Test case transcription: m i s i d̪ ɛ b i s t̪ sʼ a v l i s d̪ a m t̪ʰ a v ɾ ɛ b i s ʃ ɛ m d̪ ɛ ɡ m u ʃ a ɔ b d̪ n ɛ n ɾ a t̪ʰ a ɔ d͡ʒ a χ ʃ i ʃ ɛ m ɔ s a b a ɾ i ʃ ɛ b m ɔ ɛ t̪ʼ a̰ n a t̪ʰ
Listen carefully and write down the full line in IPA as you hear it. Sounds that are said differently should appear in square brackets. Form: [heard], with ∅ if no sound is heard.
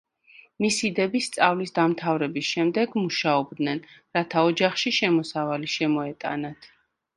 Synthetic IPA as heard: m i s i d̪ ɛ b i s t̪ sʼ a v l i s d̪ a m t̪ʰ a v ɾ ɛ b i s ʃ ɛ m d̪ ɛ ɡ m u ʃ a ɔ b d̪ n ɛ n ɾ a t̪ʰ a ɔ d͡ʒ a χ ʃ i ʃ ɛ m ɔ s a [v] a [l] i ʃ ɛ [∅] m ɔ ɛ t̪ʼ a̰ n a t̪ʰ